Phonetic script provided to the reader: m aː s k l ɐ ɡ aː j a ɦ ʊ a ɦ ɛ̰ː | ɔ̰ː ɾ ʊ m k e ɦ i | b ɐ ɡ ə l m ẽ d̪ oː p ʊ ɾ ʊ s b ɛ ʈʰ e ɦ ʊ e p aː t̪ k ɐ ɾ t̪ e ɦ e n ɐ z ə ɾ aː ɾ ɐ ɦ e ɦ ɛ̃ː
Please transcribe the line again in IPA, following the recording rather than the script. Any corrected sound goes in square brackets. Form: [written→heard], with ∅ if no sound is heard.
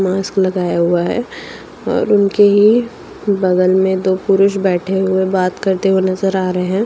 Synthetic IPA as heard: m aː s k l ɐ ɡ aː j a ɦ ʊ a ɦ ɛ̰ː | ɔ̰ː ɾ ʊ [m→n] k e ɦ i | b ɐ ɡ ə l m ẽ d̪ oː p ʊ ɾ ʊ [s→ʃ] b [ɛ→ɛː] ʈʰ e ɦ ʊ e [p→b] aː t̪ k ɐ ɾ t̪ e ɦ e n ɐ z ə ɾ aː ɾ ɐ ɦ e ɦ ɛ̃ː